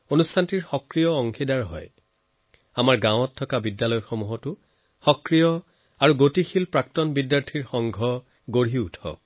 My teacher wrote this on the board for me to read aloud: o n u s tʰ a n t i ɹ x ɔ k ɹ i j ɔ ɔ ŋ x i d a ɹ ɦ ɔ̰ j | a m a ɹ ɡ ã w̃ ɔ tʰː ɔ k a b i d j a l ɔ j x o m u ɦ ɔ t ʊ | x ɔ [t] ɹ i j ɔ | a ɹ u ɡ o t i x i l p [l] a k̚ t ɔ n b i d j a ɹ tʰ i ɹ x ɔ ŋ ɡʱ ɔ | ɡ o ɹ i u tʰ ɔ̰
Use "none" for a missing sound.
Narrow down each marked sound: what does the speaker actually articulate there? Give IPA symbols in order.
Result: k, ɹ

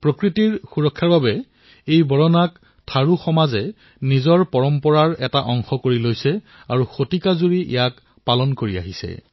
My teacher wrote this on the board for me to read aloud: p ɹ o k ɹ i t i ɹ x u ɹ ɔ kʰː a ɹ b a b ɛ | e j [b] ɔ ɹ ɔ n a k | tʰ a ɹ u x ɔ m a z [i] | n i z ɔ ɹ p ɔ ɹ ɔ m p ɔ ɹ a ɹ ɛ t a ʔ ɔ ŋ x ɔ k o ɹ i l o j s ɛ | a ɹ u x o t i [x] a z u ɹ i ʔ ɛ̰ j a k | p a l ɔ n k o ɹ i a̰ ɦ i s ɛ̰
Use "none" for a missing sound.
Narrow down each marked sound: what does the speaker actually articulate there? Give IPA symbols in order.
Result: b, ɛ, k

